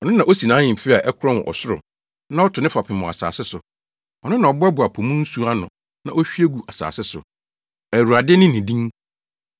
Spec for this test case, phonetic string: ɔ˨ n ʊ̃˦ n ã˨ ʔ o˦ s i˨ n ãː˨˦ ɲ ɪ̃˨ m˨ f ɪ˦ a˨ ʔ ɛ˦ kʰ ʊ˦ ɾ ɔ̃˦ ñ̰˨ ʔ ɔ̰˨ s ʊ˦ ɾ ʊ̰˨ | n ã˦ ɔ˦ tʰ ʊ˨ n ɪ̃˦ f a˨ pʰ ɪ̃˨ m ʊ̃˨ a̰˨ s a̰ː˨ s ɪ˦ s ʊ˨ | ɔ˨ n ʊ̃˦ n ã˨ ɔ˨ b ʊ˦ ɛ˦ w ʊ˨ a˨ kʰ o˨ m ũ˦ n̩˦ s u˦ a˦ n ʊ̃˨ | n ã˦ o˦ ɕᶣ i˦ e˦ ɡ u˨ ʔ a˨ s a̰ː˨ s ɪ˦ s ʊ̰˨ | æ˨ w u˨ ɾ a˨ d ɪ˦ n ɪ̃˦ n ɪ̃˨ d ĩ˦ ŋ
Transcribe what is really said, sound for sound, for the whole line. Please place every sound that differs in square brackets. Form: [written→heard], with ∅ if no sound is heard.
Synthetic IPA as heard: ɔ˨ n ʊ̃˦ n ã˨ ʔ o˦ s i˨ n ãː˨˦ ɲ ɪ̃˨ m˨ f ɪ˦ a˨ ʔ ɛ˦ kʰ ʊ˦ ɾ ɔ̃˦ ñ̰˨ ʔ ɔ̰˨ s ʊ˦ ɾ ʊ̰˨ | n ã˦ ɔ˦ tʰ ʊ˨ n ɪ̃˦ f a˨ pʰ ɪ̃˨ m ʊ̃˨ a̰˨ s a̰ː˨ s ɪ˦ s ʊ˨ | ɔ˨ n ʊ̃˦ n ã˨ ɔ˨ b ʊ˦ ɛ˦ [w→b] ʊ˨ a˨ [kʰ→pʰ] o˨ m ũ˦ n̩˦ s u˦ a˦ n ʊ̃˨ | n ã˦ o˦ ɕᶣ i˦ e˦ ɡ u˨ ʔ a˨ s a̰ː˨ s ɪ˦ s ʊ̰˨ | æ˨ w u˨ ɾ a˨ d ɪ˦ n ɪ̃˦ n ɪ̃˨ d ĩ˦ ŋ

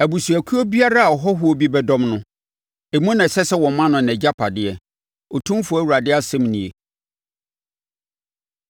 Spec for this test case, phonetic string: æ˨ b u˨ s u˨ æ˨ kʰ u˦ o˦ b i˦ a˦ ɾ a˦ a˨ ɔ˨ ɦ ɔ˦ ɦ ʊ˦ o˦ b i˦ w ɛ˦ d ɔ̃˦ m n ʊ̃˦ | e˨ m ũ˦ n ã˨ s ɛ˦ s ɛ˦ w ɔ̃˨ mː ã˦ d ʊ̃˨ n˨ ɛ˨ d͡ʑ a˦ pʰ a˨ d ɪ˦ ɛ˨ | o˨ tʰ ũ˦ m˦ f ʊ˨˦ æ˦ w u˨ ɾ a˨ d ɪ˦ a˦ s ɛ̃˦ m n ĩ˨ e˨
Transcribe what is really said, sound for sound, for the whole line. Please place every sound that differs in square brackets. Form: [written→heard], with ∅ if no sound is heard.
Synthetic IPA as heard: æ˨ b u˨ s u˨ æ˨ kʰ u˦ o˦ b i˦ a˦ ɾ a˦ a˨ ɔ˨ ɦ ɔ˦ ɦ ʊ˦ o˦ b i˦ [w→b] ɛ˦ d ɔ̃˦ m n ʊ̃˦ | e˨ m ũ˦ n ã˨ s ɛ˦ s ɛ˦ w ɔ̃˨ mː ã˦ [d→n] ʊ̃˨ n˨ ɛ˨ d͡ʑ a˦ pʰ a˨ d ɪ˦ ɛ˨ | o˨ tʰ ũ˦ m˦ f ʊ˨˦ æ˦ w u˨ ɾ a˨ d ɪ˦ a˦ s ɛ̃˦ m n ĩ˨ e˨

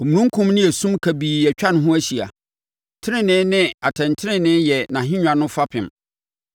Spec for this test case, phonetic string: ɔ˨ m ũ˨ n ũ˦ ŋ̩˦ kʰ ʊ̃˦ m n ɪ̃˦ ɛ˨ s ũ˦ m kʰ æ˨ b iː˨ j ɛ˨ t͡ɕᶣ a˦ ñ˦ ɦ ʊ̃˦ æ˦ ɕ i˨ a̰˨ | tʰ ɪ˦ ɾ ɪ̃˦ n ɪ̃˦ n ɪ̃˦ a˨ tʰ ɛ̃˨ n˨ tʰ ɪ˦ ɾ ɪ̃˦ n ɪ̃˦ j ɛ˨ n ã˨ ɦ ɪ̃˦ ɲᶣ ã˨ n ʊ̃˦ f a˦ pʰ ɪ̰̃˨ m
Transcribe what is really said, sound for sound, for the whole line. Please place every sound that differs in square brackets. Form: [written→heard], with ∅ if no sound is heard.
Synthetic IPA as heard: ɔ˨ m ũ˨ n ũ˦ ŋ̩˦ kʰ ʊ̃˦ m n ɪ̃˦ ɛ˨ s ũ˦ m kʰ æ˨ b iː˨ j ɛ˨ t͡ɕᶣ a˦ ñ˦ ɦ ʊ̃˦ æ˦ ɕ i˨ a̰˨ | tʰ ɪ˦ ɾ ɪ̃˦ n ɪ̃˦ n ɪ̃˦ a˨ tʰ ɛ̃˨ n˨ tʰ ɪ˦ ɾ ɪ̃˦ n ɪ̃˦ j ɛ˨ n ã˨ ɦ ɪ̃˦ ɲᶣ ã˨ n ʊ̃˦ f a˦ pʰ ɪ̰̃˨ m

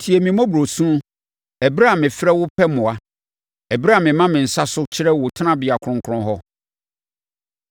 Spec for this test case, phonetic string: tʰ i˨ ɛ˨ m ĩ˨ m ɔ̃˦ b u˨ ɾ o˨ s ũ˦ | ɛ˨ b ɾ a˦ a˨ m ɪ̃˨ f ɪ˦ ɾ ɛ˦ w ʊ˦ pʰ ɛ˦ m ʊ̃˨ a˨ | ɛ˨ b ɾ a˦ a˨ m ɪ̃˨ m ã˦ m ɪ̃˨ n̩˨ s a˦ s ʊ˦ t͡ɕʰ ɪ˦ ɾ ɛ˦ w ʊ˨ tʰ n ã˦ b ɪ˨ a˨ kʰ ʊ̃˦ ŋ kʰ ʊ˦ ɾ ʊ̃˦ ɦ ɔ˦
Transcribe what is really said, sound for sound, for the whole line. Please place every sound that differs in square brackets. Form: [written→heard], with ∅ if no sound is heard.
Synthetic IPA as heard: tʰ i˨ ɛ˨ m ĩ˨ m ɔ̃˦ b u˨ ɾ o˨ s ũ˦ | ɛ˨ b ɾ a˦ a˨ m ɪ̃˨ f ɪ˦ ɾ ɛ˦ w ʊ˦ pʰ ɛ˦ m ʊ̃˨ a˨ | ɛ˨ b ɾ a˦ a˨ m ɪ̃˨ m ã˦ m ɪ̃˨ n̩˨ s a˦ s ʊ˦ t͡ɕʰ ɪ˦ ɾ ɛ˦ w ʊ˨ tʰ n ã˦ b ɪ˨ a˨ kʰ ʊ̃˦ ŋ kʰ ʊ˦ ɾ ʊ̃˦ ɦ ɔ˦

